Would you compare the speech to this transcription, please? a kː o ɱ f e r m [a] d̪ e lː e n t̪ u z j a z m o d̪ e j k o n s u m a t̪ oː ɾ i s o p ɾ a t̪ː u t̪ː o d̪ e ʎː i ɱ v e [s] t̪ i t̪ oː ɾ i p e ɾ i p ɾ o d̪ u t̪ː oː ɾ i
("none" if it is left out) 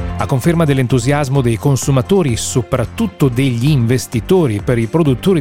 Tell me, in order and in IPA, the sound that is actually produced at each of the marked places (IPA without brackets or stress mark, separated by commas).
a, s